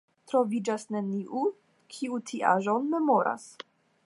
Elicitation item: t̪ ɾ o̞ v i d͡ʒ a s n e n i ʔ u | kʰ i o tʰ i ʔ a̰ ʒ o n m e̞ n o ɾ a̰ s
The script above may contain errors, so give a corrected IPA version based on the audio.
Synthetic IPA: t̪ ɾ o̞ v i d͡ʒ a s n e n i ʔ u | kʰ i u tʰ i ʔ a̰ ʒ o n m e̞ m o ɾ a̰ s